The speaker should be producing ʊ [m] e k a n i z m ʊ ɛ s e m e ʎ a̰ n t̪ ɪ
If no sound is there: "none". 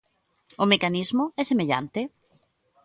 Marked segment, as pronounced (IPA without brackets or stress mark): m